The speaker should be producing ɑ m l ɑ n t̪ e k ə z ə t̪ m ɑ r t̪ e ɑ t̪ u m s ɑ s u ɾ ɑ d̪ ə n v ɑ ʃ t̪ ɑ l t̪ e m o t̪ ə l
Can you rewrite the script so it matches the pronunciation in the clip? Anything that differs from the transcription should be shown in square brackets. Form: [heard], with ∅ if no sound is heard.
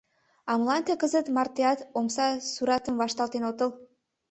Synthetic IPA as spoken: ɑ m l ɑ n t̪ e k ə z ə t̪ m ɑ r t̪ e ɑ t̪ [o] m s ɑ s u ɾ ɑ [t̪] ə [m] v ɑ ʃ t̪ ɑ l t̪ e [n] o t̪ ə l

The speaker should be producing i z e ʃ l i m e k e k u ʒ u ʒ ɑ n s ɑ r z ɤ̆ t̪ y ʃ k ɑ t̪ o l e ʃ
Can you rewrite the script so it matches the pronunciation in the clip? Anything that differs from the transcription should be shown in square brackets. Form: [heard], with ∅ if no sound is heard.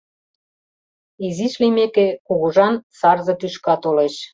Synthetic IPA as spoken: i z [i] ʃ l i m e k e k u [ɣ] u ʒ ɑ n s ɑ r z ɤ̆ t̪ y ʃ k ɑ t̪ o l e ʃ

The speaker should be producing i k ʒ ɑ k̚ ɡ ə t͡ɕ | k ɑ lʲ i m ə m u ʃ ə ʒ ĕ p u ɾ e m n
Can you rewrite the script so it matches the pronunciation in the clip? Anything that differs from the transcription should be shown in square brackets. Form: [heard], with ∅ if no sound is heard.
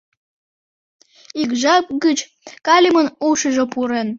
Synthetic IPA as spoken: i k ʒ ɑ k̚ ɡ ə t͡ɕ | k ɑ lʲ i m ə [n] u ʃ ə ʒ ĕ p u ɾ e [∅] n

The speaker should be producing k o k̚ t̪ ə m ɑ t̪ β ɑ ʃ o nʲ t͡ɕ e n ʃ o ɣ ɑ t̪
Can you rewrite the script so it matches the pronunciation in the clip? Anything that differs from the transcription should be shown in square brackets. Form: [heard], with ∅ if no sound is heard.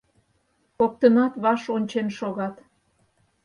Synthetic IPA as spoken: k o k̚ t̪ ə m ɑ t̪ β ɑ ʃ o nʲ t͡ɕ e n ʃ o ɣ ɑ t̪

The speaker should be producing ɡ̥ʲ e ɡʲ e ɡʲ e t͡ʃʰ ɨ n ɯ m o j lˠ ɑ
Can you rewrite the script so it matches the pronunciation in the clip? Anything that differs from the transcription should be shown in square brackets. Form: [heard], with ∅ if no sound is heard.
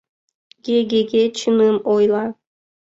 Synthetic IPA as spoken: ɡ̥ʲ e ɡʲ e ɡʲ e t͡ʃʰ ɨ n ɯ m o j lˠ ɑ

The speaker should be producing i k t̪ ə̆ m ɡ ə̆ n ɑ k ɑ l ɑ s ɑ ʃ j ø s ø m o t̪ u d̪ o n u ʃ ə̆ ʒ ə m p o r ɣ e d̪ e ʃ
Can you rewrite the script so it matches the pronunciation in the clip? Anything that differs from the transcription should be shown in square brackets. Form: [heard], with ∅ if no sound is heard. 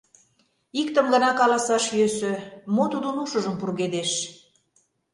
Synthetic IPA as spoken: i k t̪ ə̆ m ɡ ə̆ n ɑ k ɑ l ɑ s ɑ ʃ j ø s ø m o t̪ u d̪ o n u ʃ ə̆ ʒ ə m p [u] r ɣ e d̪ e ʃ

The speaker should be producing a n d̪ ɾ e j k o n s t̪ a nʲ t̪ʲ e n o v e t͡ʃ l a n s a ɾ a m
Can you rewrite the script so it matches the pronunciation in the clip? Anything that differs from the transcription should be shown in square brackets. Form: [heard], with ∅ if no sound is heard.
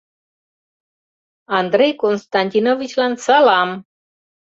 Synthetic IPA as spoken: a n d̪ ɾ e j k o n s t̪ a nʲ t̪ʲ [i] n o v [i] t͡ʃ l a n s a [l] a m

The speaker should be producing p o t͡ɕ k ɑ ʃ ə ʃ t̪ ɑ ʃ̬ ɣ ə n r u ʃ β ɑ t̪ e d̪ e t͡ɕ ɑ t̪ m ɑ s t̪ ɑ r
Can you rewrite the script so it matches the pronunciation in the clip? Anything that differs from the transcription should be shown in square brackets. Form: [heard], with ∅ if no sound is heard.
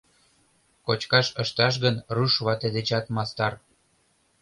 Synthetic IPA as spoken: [k] o t͡ɕ k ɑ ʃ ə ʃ t̪ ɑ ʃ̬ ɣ ə n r u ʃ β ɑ t̪ e d̪ e t͡ɕ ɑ t̪ m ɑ s t̪ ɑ r

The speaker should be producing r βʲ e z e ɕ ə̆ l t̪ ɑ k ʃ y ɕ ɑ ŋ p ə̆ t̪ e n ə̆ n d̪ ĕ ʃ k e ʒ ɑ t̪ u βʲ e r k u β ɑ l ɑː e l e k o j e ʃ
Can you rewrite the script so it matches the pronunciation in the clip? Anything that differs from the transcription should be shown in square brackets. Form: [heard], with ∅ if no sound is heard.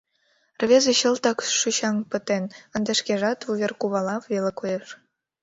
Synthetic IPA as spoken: r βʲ e z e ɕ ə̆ l t̪ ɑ k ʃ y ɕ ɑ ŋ p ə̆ t̪ e n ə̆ n d̪ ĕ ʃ k e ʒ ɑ t̪ u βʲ e r k u β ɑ l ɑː e l e k o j e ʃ

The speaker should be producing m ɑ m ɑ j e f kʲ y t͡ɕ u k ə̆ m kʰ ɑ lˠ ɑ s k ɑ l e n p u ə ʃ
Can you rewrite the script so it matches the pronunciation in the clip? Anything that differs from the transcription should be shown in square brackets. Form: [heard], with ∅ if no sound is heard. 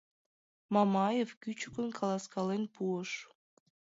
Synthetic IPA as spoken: m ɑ m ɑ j e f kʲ y t͡ɕ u k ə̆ [n] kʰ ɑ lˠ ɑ s k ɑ l e n p u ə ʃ

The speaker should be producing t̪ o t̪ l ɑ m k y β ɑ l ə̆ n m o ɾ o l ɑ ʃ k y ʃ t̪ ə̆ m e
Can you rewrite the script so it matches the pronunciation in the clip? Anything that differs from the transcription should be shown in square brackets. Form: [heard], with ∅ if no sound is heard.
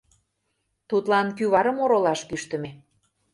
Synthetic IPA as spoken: t̪ [u] t̪ l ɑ [n] k y β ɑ [ɾ] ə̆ [∅] m o ɾ o l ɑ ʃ k y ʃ t̪ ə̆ m e

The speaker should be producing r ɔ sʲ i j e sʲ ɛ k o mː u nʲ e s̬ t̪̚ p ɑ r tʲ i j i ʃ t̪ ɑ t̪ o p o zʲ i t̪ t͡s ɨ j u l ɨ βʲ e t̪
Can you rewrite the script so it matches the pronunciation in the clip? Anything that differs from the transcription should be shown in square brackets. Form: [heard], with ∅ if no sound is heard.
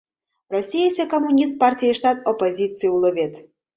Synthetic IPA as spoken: r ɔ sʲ i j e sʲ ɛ k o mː u nʲ [i] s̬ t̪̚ p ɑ r tʲ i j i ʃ t̪ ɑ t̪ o p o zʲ i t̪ t͡s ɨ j u l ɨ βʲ e t̪

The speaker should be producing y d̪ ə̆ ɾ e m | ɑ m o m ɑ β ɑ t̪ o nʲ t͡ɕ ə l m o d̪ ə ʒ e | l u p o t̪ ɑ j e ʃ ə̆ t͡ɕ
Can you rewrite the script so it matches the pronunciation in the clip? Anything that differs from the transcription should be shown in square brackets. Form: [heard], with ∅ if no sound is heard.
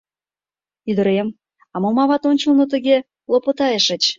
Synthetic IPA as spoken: y d̪ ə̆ ɾ e m | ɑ m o m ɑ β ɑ t̪ o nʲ t͡ɕ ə l [n] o [t̪] ə [ɣ] e | l [o] p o t̪ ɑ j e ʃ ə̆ t͡ɕ

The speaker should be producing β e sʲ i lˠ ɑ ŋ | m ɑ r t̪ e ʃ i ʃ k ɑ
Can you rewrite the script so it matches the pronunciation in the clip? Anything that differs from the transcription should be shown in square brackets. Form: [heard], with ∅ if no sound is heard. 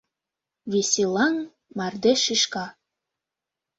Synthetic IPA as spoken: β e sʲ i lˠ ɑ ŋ | m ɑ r [d̪] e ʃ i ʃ k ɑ

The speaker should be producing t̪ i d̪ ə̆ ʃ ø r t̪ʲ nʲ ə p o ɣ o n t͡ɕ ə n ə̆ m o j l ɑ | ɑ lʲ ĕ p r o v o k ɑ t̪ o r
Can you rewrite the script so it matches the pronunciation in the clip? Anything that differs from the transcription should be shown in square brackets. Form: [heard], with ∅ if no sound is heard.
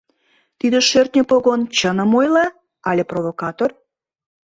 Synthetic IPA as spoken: t̪ i d̪ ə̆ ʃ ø r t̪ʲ nʲ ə p o ɣ o n t͡ɕ ə n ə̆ m o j l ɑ | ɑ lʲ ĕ p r o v o k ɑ t̪ o r

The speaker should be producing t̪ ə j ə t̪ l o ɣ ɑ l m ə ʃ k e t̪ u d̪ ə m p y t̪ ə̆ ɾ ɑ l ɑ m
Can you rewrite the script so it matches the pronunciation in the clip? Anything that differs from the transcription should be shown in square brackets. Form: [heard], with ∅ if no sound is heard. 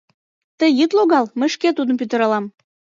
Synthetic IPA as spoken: t̪ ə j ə t̪ l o ɣ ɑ l m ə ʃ k e t̪ u d̪ ə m p y t̪ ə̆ ɾ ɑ l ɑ m

